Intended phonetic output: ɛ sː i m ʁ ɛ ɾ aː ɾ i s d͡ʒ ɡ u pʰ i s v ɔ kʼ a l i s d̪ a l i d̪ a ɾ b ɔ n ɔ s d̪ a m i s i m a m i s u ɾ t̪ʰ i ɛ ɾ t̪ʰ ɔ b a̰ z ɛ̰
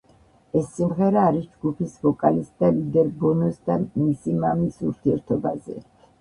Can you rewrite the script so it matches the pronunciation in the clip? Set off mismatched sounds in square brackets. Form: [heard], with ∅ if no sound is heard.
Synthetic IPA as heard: ɛ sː i m ʁ ɛ ɾ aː ɾ i s d͡ʒ ɡ u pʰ i s v ɔ kʼ a l i s d̪ a l i d̪ [ɛ] ɾ b ɔ n ɔ s d̪ a m i s i m a m i s u ɾ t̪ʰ i ɛ ɾ t̪ʰ ɔ b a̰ z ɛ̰